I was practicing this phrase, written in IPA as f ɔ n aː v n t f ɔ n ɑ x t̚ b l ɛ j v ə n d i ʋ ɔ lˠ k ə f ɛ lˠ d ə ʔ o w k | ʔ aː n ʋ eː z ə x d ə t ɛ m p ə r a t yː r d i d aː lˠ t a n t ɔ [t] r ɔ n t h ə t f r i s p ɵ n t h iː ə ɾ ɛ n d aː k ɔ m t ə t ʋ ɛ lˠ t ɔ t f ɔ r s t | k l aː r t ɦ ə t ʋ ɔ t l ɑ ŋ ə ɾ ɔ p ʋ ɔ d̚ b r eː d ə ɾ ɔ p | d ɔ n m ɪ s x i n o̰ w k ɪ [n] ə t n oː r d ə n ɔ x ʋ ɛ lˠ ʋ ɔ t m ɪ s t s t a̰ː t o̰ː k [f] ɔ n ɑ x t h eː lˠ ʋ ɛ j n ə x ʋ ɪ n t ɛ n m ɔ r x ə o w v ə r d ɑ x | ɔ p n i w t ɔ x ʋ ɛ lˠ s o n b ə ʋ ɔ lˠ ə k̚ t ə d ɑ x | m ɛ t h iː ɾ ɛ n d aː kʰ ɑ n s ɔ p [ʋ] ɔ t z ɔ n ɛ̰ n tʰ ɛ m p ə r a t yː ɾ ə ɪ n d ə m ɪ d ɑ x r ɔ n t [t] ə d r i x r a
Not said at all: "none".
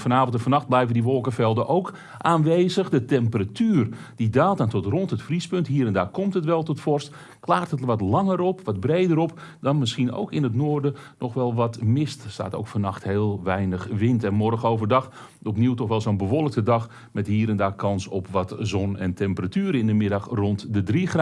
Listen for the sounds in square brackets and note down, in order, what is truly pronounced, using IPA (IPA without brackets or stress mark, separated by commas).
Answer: t, n, f, ʋ, d